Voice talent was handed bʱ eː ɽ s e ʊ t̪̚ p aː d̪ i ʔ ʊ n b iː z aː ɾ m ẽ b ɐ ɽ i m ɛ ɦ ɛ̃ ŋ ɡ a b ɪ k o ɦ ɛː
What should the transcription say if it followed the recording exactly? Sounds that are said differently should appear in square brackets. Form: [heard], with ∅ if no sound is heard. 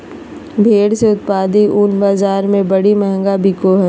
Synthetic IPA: bʱ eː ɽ s e ʊ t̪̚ p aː d̪ i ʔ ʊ n b [aː] z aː ɾ m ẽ b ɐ ɽ i m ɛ ɦ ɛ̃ ŋ ɡ a b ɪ k o ɦ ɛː

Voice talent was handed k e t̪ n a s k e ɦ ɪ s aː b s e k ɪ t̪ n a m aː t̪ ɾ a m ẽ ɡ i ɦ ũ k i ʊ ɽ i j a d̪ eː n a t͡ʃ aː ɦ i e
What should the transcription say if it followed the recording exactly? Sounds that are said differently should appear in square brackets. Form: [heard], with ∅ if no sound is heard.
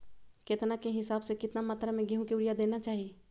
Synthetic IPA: k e t̪ n a [∅] k e ɦ ɪ s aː b s e k ɪ t̪ n a m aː t̪ ɾ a m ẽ ɡ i ɦ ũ k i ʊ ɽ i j a d̪ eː n a t͡ʃ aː ɦ i e

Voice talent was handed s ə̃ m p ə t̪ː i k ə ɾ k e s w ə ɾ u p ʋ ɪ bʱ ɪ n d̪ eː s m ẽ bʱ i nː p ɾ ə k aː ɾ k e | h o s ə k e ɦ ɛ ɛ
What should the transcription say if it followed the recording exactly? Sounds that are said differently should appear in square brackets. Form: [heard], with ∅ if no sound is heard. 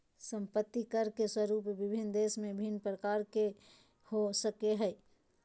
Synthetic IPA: s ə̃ m p ə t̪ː i k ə ɾ k e s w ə ɾ u p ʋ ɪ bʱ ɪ n d̪ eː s m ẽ bʱ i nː p ɾ ə k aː ɾ k e | h o s ə k e ɦ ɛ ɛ

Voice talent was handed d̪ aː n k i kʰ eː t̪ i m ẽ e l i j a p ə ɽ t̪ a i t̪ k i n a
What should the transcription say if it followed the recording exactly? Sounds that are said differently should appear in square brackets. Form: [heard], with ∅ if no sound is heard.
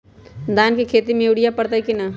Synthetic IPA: d̪ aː n k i kʰ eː t̪ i m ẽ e [ɽ] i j a p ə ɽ t̪ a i [∅] k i n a

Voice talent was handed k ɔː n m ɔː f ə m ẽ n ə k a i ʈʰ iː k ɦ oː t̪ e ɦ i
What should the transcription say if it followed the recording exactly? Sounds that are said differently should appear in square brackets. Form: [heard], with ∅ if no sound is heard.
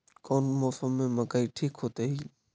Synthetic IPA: k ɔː n m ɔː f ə m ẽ [m] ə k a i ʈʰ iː k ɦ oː t̪ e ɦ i

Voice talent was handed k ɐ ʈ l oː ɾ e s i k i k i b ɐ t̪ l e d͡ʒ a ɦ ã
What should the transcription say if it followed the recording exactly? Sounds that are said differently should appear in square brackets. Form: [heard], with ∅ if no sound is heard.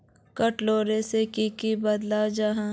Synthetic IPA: k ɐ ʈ l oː ɾ e s [e] k i k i b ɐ [d̪] l [a] d͡ʒ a ɦ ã

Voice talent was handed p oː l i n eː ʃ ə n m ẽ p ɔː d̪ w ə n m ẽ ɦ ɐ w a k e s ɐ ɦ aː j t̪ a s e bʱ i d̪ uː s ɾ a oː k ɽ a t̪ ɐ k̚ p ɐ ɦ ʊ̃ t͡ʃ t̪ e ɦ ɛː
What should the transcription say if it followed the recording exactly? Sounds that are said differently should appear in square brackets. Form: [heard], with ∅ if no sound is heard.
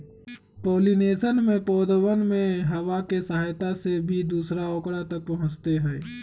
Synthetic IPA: p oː l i n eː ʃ ə n m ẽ p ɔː d̪ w ə n m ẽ ɦ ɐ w a k e s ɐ ɦ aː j t̪ a s e bʱ i d̪ uː s ɾ a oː k ɽ a t̪ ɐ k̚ p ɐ ɦ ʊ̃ t͡ʃ t̪ e ɦ ɛː

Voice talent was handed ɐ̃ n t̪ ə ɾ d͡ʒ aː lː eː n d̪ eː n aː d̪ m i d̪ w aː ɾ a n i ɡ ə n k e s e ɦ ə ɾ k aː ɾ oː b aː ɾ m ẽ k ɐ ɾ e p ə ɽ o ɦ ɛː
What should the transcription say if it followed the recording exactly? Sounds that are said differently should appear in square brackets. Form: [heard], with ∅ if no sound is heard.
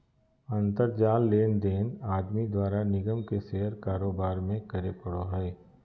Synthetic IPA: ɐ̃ n t̪ ə ɾ d͡ʒ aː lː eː n d̪ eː n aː d̪ m i d̪ w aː ɾ a n [ɪ] ɡ ə [m] k e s e ɦ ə ɾ k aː ɾ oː b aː ɾ m ẽ k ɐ ɾ e p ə ɽ o ɦ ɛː

